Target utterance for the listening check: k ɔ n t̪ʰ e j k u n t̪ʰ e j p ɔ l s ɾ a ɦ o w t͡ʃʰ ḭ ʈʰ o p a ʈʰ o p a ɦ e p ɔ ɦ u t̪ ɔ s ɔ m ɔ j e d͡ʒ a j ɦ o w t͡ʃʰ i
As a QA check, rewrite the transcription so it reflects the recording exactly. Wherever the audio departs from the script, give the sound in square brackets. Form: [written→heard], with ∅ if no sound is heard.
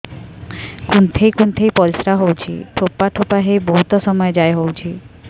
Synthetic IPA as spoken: k [ɔ→u] n t̪ʰ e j k u n t̪ʰ e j p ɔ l s ɾ a ɦ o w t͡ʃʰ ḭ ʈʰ o p a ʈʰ o p a ɦ e [p→b] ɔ ɦ u t̪ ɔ s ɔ m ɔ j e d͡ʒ a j ɦ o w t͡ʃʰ i